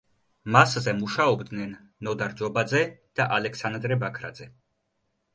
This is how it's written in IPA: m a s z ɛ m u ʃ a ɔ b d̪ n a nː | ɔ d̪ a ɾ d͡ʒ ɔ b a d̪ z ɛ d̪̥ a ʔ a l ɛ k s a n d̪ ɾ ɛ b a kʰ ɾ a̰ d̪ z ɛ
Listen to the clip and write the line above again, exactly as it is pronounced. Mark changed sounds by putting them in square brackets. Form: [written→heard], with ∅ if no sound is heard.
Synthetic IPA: m a s z ɛ m u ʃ a ɔ b d̪ n [a→ɛ] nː | ɔ d̪ a ɾ d͡ʒ ɔ b a d̪ z ɛ d̪̥ a ʔ a l ɛ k s a n d̪ ɾ ɛ b a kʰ ɾ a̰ d̪ z ɛ